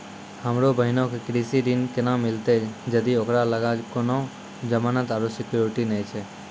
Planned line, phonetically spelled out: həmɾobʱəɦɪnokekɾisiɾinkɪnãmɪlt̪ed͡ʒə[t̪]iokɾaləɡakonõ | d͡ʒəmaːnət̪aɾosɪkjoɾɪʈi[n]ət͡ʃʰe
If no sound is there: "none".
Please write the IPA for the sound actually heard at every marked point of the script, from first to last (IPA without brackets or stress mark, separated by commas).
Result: d̪, n